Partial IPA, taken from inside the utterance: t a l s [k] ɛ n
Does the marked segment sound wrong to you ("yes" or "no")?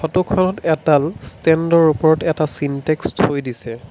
yes